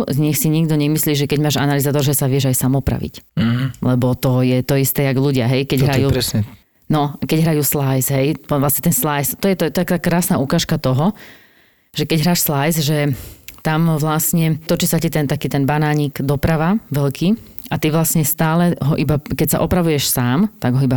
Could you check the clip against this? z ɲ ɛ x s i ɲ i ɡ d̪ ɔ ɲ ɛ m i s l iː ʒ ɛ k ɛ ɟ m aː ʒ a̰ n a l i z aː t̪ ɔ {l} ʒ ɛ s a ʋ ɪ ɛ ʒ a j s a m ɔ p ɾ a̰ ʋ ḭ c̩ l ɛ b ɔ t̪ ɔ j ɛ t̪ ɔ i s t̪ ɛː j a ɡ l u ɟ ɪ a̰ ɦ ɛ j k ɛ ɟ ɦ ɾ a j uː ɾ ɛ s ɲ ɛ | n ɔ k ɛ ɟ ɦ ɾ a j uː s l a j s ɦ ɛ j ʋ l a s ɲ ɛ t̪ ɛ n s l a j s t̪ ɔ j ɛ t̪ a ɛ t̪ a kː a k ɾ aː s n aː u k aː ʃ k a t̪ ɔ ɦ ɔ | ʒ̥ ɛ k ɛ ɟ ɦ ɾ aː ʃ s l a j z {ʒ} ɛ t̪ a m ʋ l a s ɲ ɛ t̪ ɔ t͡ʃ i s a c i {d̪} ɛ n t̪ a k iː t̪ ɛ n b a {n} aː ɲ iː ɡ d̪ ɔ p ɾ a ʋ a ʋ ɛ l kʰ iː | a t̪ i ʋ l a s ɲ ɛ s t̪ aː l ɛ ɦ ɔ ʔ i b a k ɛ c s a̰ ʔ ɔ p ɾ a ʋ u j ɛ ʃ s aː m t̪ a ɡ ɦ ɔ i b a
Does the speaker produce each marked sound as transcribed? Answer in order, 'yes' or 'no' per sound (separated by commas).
no, yes, no, yes